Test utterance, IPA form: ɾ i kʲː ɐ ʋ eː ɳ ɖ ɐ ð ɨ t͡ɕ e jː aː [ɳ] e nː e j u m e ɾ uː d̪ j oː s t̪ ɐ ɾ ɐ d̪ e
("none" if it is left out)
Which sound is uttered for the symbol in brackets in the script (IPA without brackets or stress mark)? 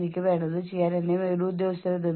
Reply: n